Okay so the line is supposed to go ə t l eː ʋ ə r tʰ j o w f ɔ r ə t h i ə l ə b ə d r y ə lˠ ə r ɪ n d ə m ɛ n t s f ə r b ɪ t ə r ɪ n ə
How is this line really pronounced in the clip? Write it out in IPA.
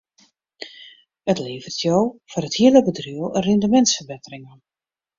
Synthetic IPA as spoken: ə t l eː v ə r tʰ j o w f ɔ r ə t h i ə l ə b ə d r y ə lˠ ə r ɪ n d ə m ɛ n t s f ə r b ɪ t ə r ɪ ŋ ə